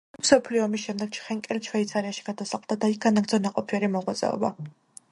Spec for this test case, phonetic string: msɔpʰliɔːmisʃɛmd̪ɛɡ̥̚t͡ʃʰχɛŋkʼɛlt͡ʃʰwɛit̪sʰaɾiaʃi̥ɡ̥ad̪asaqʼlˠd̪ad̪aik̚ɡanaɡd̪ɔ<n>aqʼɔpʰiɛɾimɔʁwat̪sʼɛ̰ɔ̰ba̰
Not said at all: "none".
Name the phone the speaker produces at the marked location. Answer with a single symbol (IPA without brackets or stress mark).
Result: n